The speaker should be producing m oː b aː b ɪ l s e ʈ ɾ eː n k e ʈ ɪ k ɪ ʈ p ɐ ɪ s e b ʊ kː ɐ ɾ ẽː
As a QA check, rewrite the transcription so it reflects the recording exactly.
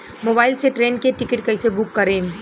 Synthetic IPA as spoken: m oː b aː ɪ l s e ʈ ɾ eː n k e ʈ ɪ k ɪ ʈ k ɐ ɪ s e b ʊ kː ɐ ɾ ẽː